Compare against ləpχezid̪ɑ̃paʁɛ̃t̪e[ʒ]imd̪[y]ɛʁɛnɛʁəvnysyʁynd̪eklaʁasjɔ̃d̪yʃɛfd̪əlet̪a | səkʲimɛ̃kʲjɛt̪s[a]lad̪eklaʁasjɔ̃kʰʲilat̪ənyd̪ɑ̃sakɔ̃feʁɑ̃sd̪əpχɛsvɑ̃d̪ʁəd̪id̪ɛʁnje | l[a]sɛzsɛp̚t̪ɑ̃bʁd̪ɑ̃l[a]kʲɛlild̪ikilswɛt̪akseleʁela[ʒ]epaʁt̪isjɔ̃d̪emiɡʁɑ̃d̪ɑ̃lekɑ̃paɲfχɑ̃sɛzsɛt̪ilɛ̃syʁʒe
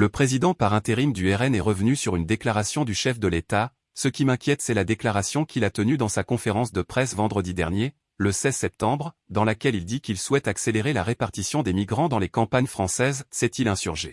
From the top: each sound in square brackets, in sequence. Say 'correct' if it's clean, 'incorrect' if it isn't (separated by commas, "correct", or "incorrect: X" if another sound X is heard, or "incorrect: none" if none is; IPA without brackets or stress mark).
incorrect: ʁ, correct, incorrect: ɛ, incorrect: ə, correct, incorrect: ʁ